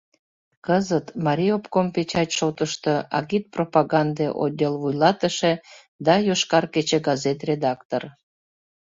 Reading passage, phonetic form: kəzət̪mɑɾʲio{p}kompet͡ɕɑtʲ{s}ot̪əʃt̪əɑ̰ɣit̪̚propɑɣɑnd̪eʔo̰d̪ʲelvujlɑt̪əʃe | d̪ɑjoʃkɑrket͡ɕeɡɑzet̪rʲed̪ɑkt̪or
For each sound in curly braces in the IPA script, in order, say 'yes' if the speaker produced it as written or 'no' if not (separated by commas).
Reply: yes, no